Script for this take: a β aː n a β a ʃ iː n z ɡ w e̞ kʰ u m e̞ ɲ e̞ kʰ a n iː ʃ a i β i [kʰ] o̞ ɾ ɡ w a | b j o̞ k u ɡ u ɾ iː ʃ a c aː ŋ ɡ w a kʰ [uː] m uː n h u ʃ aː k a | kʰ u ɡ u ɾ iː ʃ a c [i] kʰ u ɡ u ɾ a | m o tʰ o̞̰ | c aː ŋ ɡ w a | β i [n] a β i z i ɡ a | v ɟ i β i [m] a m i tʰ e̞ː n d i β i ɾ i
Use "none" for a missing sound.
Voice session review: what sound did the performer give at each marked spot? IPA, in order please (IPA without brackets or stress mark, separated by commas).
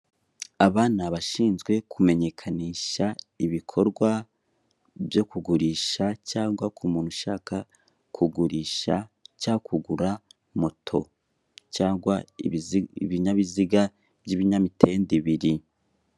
kʰ, u, a, ɲ, ɲ